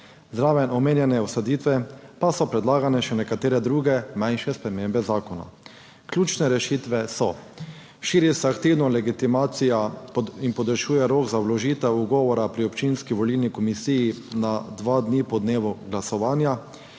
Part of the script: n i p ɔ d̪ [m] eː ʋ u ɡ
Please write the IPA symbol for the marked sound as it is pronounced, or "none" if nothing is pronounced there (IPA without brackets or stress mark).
n